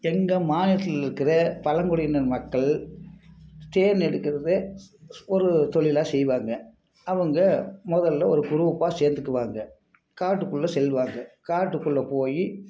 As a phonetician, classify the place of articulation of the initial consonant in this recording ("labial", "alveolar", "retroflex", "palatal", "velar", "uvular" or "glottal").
velar